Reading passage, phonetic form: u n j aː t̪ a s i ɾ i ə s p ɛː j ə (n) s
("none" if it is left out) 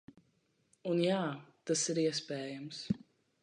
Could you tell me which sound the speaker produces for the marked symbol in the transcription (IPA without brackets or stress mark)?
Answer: m